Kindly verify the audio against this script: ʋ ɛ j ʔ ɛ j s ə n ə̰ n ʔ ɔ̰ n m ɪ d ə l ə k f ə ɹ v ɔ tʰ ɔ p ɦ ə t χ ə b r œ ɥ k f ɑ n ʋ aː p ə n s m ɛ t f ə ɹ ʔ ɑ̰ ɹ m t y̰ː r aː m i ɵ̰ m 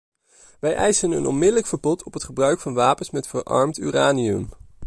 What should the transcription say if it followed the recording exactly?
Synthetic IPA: ʋ ɛ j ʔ ɛ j s ə n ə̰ n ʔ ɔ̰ n m ɪ d ə l ə k f ə ɹ b ɔ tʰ ɔ p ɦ ə t χ ə b r œ ɥ k f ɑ n ʋ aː p ə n s m ɛ t f ə ɹ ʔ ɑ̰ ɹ m t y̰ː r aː n i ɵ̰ m